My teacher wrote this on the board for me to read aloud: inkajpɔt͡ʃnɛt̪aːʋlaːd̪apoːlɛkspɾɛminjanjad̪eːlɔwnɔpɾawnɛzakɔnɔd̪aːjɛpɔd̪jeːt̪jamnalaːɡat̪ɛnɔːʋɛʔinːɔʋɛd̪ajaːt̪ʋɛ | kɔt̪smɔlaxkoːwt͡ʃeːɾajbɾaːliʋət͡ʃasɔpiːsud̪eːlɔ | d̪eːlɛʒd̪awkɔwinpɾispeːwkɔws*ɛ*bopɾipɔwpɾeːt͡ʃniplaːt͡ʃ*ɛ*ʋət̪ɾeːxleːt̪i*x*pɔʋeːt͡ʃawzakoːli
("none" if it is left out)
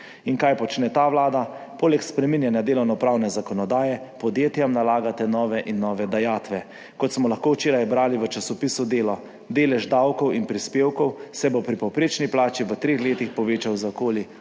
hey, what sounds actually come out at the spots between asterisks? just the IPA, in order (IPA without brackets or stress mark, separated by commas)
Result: ɛ, i, x